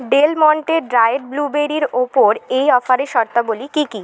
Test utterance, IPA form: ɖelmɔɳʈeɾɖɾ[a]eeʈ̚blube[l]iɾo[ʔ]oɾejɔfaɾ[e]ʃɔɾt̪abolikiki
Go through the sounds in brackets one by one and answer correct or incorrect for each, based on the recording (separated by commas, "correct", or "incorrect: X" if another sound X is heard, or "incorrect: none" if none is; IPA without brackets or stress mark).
correct, incorrect: ɾ, incorrect: p, correct